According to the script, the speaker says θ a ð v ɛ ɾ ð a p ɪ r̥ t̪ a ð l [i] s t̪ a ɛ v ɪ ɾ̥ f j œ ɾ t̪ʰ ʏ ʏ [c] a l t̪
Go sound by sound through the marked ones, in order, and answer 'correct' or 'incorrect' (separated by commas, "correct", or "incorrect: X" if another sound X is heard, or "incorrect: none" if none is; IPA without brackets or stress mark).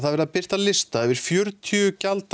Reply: incorrect: ɪ, correct